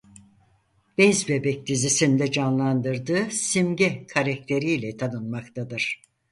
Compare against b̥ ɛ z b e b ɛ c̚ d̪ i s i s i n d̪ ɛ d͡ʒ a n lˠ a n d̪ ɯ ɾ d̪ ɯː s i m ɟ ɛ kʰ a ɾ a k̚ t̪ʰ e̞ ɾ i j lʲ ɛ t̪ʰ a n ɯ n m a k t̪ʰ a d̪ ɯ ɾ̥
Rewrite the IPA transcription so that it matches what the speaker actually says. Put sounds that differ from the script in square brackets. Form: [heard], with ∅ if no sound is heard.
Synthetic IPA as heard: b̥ ɛ z b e b ɛ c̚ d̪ i [z] i s i n d̪ ɛ d͡ʒ a n lˠ a n d̪ ɯ ɾ d̪ ɯː s i m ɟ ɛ kʰ a ɾ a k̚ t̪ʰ e̞ ɾ i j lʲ ɛ t̪ʰ a n ɯ n m a k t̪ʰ a d̪ ɯ ɾ̥